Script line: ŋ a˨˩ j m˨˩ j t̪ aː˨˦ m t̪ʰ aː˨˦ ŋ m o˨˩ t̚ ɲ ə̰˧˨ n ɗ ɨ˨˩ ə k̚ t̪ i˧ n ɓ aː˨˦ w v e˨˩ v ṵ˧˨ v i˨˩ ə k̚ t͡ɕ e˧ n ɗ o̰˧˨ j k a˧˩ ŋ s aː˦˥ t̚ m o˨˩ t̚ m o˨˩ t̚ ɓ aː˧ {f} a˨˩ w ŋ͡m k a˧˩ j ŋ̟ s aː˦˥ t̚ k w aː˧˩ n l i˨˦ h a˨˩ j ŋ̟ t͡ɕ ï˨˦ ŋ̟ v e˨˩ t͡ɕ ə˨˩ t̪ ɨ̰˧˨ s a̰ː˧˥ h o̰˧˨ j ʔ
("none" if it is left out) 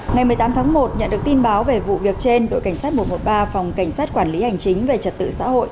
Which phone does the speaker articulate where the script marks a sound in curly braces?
f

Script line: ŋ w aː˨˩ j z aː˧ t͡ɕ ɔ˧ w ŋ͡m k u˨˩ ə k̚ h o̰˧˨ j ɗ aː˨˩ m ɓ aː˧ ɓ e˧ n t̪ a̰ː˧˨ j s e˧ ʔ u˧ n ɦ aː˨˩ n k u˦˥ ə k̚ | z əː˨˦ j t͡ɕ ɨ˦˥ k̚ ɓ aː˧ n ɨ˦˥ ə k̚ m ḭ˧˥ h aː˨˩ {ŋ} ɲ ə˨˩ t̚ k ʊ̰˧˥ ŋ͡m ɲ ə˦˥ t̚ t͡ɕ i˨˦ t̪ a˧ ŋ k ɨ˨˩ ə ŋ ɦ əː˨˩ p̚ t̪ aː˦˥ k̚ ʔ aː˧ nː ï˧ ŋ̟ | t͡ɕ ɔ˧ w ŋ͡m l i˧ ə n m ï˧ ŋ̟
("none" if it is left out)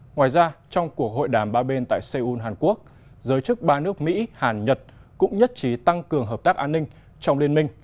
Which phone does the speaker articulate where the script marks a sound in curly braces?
n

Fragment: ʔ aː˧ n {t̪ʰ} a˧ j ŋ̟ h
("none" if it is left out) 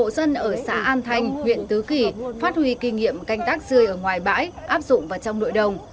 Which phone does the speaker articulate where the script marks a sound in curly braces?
t̪ʰ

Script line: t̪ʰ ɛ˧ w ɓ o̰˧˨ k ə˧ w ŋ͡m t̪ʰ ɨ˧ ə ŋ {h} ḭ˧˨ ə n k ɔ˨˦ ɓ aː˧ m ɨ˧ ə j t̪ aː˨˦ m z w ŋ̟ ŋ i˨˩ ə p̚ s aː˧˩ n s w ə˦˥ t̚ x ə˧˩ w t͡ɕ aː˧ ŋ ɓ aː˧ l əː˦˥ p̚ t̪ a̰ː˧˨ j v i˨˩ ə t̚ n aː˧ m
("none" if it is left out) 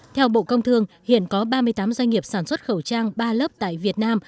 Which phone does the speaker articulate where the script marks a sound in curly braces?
h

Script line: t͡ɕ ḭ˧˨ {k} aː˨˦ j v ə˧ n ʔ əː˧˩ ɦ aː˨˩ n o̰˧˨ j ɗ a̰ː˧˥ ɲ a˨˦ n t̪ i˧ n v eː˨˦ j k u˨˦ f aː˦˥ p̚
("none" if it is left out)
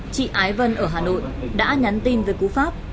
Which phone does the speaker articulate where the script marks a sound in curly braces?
ʔ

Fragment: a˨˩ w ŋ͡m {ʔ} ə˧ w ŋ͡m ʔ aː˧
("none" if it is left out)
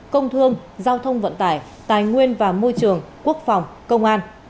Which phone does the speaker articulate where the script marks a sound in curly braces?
k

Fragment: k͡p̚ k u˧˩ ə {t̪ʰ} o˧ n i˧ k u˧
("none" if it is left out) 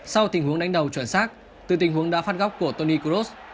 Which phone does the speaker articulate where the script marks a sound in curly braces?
t̪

